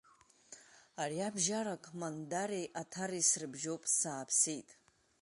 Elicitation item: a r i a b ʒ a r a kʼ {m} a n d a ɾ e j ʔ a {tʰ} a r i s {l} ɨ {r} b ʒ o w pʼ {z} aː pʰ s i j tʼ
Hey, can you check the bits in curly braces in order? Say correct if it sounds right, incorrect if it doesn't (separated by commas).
correct, correct, incorrect, incorrect, incorrect